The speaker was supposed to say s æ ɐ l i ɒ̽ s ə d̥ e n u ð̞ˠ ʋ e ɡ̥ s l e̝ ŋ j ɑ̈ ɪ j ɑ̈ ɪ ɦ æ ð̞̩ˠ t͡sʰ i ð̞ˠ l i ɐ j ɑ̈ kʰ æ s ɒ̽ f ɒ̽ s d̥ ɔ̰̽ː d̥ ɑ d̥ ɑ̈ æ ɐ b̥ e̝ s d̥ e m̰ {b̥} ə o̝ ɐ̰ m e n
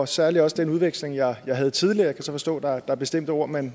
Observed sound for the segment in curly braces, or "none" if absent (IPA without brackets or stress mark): d̥